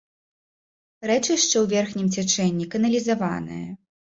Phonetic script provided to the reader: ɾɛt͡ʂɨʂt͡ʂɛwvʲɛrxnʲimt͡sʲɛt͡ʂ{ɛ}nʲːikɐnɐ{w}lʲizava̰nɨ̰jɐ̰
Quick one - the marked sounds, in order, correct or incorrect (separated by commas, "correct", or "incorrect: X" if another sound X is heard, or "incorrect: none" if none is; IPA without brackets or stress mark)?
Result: correct, incorrect: none